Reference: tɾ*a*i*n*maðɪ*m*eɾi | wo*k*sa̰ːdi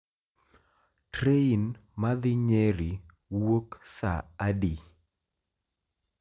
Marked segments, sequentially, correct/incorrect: incorrect: e, correct, incorrect: ɲ, correct

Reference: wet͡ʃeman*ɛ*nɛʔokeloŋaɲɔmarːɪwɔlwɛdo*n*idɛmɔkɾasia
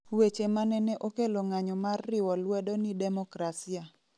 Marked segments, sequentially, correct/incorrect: correct, correct

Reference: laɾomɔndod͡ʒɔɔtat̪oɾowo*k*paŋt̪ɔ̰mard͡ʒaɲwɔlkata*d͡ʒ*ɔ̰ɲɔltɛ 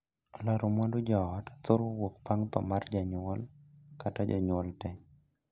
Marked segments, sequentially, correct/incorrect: correct, correct

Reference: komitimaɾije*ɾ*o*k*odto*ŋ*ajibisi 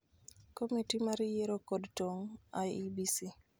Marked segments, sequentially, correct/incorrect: correct, correct, correct

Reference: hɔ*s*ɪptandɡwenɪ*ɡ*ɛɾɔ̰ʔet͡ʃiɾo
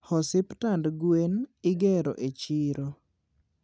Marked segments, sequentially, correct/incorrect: correct, correct

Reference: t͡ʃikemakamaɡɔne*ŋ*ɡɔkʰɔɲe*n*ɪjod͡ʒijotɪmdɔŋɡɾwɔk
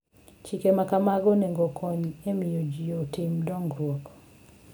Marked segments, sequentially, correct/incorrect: correct, incorrect: m

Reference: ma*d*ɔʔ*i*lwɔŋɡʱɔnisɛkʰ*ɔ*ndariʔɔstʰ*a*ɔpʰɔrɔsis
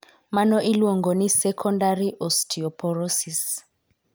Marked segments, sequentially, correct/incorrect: incorrect: n, correct, correct, incorrect: i

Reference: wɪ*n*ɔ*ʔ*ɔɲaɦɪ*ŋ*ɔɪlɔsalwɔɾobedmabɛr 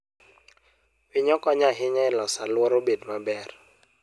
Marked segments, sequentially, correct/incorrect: incorrect: ɲ, incorrect: k, incorrect: ɲ

